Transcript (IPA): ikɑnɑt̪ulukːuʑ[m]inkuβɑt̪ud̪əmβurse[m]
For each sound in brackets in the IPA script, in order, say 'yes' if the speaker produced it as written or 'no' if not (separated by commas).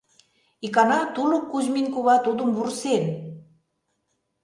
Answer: yes, no